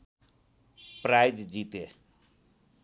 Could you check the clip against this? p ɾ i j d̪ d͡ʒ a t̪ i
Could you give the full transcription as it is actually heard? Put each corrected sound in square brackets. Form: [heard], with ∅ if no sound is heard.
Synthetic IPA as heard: p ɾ [a] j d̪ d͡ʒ [i] t̪ [e]

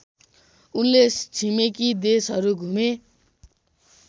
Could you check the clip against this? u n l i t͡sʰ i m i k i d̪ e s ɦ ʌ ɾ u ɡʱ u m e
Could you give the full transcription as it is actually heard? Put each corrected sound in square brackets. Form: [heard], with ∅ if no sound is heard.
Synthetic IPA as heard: u n l [e] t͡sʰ i m [e] k i d̪ e s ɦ ʌ ɾ u ɡʱ u m e

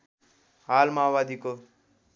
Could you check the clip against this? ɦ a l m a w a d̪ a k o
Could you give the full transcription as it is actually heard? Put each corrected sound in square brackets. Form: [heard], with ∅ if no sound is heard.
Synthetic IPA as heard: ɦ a l m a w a d̪ [i] k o

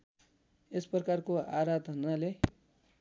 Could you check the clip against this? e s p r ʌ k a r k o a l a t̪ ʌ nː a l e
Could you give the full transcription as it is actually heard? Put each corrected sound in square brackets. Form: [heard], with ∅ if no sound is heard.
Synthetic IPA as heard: e s p r ʌ k a r k o a [ɾ] a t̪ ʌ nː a l e

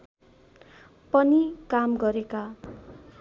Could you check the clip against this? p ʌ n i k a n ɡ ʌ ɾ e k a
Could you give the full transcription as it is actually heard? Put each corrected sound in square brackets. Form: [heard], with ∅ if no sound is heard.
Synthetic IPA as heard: p ʌ n i k a [m] ɡ ʌ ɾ e k a

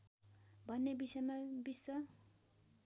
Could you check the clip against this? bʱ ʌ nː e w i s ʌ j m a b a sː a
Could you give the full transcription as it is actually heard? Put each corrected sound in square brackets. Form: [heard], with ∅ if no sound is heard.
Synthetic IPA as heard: bʱ ʌ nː e [b] i s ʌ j m a b [i] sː [ʌ]

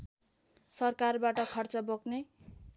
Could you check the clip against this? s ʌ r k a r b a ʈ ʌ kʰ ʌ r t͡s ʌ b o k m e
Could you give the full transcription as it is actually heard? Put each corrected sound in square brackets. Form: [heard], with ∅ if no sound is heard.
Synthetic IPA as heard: s ʌ r k a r b a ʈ ʌ kʰ ʌ r t͡s ʌ b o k [n] e

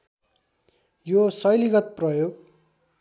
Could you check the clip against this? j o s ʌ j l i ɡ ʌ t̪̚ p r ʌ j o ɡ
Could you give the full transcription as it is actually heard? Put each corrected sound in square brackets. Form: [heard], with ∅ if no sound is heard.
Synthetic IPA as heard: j o s ʌ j l i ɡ ʌ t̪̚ p r ʌ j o ɡ

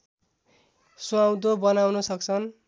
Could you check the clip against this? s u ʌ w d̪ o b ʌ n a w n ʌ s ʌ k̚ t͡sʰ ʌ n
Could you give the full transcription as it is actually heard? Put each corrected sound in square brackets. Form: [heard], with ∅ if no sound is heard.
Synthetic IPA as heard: s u [a] w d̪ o b ʌ n a w n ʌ s ʌ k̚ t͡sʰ ʌ n

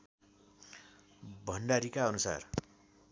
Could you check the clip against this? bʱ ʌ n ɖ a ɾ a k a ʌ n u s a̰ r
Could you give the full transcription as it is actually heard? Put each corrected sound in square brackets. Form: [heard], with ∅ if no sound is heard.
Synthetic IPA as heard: bʱ ʌ n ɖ a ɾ [i] k a ʌ n u s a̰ r

